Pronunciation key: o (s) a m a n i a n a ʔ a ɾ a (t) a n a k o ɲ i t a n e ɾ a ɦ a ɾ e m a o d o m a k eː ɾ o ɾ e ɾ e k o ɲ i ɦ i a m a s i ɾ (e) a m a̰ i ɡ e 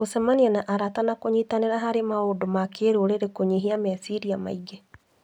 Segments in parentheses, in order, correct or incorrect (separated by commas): correct, correct, incorrect